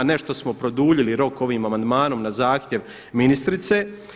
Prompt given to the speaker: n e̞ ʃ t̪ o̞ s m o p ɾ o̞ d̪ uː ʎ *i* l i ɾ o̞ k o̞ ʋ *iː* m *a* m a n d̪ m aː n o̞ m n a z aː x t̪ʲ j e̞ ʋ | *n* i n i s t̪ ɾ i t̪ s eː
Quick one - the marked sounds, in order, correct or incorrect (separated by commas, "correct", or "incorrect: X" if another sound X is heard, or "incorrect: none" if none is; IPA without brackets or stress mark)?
correct, correct, correct, incorrect: m